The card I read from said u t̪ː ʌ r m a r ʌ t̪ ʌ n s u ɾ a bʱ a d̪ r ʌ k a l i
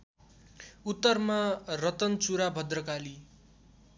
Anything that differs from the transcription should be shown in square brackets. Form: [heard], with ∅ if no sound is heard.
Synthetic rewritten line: u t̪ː ʌ r m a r ʌ t̪ ʌ n [t͡s] u ɾ a bʱ [ʌ] d̪ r ʌ k a l i